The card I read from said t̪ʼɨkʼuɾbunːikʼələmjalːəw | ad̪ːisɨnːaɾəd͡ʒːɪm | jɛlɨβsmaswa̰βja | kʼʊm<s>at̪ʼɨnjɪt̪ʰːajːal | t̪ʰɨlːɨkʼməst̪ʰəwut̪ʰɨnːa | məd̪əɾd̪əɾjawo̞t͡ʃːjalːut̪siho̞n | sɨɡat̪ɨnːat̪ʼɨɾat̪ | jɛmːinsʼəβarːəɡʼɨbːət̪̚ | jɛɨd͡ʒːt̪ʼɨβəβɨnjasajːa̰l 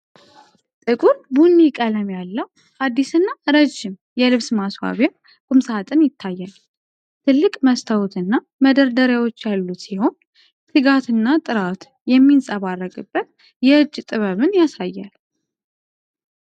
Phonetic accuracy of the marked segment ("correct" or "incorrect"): correct